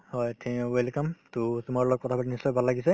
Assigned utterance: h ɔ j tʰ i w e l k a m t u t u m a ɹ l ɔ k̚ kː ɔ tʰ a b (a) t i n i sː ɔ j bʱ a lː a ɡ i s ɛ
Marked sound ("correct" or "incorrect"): correct